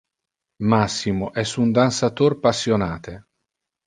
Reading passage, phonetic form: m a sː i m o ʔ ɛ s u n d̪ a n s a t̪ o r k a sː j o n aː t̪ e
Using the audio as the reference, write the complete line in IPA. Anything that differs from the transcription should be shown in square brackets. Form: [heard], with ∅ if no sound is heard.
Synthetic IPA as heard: m a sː i m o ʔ ɛ s u n d̪ a n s a t̪ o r [p] a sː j o n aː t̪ e